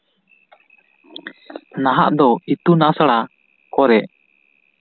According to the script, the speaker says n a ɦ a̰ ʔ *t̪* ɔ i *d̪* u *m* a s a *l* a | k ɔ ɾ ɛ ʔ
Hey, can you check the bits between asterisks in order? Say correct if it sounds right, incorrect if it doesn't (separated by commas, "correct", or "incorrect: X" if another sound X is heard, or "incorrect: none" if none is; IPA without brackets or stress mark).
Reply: incorrect: d̪, incorrect: t̪, incorrect: n, incorrect: ɽ